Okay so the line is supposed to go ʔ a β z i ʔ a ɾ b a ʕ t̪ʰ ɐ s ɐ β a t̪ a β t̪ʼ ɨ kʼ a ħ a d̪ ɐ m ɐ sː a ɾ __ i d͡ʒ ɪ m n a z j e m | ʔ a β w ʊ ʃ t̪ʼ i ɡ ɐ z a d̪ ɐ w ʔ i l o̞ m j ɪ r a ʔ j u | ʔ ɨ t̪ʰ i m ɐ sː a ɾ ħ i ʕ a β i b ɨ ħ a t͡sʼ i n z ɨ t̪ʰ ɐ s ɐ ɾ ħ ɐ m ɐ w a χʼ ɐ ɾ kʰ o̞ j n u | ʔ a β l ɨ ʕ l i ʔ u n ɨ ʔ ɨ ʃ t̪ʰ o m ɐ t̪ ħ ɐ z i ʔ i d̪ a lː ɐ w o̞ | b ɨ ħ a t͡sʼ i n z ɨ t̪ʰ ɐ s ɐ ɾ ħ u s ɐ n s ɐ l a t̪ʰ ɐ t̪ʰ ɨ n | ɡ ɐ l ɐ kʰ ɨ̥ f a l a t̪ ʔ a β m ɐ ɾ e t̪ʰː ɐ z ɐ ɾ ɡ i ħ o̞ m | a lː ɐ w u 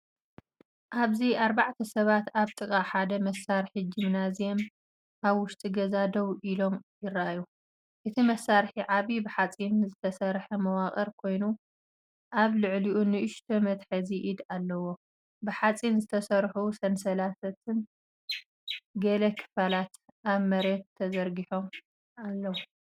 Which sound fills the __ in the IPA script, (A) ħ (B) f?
A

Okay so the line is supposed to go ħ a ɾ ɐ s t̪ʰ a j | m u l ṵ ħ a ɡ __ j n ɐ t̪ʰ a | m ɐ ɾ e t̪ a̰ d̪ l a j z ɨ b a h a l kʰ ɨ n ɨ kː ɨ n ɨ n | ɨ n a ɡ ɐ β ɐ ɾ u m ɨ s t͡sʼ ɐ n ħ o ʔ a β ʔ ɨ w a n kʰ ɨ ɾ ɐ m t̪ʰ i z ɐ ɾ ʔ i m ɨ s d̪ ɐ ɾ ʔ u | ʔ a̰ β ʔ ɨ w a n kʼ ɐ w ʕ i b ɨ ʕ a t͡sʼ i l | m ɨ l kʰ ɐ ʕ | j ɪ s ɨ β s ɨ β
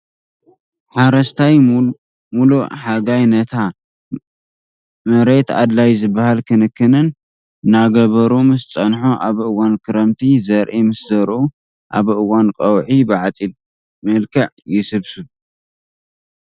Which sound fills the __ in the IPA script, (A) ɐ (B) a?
B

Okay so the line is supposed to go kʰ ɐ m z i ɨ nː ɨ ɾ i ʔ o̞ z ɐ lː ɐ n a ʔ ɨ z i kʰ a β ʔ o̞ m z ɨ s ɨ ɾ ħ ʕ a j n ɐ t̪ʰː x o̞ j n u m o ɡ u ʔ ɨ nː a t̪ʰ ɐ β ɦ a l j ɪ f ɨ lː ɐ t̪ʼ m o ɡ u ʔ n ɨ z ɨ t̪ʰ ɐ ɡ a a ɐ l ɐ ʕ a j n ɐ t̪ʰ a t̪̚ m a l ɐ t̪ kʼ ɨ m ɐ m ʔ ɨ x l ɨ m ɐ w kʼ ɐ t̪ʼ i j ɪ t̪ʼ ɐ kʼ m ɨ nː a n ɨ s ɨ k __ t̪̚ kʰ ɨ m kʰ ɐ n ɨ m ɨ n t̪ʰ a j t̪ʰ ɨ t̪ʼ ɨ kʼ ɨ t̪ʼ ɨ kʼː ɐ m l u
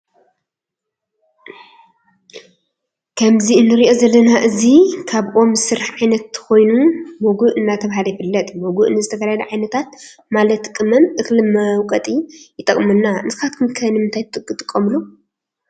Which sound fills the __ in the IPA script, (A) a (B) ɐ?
A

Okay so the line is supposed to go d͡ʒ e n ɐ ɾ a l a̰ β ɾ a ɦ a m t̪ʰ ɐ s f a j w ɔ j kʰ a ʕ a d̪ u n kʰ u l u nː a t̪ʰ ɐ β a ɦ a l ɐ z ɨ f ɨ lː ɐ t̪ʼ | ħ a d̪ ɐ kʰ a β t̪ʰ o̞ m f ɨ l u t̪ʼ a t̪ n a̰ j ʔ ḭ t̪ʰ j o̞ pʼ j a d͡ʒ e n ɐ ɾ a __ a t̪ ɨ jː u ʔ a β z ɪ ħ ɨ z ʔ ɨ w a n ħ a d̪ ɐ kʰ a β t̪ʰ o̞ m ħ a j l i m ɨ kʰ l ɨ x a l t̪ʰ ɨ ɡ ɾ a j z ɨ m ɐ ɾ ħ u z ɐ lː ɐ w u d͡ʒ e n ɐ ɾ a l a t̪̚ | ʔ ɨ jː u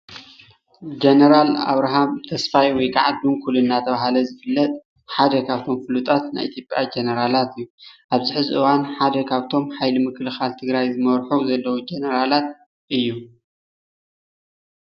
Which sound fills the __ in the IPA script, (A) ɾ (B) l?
B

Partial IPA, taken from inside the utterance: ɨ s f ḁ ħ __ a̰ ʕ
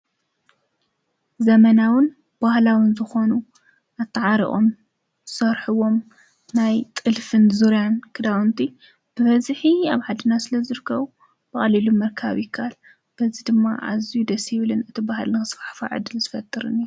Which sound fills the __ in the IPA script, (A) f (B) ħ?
A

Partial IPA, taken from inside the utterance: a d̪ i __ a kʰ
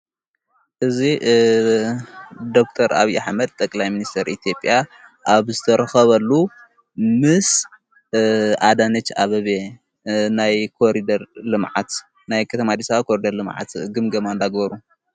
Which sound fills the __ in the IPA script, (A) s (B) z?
A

